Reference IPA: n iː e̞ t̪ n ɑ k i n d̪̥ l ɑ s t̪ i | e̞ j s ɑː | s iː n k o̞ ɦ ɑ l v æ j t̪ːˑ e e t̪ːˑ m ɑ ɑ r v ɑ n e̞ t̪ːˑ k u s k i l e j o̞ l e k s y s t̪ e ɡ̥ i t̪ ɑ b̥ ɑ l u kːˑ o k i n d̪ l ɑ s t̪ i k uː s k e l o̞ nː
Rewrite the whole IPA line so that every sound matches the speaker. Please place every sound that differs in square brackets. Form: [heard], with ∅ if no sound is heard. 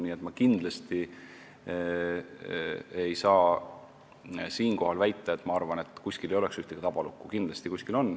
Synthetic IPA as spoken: n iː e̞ t̪ [m] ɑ k i n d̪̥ l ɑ s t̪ i | e̞ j s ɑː | s iː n k o̞ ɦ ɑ l v æ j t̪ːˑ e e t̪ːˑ m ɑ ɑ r v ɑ n e̞ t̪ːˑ k u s k i l e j o̞ l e k s y [h] t̪ e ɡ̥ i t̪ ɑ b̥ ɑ l u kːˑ [u] k i n d̪ l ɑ s t̪ i k [u] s k [i] l o̞ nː